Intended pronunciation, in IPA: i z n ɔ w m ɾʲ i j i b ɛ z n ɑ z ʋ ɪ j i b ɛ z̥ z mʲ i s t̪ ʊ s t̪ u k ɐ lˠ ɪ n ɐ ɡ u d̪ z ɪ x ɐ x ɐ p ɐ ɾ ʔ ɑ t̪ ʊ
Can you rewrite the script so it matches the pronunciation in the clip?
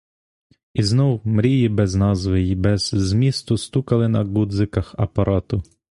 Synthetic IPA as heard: i z n ɔ w m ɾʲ i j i b ɛ z n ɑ z ʋ ɪ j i b ɛ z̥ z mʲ i s t̪ ʊ s t̪ u k ɐ lˠ ɪ n ɐ ɡ u d̪ z ɪ k ɐ x ɐ p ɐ ɾ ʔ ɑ t̪ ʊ